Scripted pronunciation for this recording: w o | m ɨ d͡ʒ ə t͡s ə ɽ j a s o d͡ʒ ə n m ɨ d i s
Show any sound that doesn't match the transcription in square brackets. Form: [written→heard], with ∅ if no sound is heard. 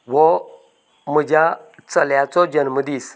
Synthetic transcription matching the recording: w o | m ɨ d͡ʒ [ə→a] t͡s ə [ɽ→l] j a [s→t͡s] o d͡ʒ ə n m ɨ d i s